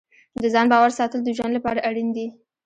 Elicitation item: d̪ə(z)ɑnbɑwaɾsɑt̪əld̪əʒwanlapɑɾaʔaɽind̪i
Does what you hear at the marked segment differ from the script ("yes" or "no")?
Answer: no